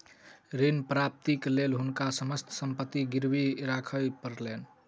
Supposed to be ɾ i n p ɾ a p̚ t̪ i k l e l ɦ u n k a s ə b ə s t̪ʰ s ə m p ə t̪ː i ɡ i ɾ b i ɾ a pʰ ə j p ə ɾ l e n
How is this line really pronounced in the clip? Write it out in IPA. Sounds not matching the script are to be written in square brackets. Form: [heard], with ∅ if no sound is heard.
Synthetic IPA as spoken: ɾ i n p ɾ a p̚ t̪ i k l e l ɦ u n k a s ə [m] ə s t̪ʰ s ə m p ə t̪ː i ɡ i ɾ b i ɾ a [kʰ] ə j p ə ɾ l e n